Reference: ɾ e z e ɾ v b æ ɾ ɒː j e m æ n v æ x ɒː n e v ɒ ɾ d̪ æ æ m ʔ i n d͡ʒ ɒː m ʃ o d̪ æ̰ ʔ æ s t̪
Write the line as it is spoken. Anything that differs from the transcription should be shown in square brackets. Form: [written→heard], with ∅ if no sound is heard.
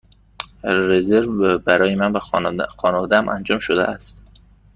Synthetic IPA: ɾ e z e ɾ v b æ ɾ ɒː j e m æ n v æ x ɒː n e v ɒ [ɾ→∅] d̪ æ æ m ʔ [i→æ] n d͡ʒ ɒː m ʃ o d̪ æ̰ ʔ æ s t̪